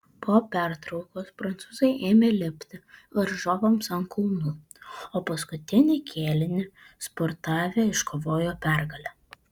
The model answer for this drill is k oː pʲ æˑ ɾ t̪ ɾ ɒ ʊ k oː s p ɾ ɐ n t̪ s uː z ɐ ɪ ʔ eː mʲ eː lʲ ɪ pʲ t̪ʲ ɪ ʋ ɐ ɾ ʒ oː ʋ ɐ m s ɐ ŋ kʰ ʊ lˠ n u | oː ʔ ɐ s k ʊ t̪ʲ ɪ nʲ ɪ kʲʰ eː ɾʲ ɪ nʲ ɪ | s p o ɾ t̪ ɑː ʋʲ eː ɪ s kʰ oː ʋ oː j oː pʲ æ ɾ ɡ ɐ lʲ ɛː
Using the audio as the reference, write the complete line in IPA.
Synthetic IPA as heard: p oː pʲ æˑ ɾ t̪ ɾ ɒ ʊ k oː s p ɾ ɐ n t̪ s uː z ɐ ɪ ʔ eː mʲ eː lʲ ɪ pʲ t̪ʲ ɪ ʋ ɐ ɾ ʒ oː ʋ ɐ m s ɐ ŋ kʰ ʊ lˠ n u | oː p ɐ s k ʊ t̪ʲ ɪ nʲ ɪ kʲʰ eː lʲ ɪ nʲ ɪ | s p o ɾ t̪ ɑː ʋʲ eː ɪ ʃ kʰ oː ʋ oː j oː pʲ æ ɾ ɡ ɐ lʲ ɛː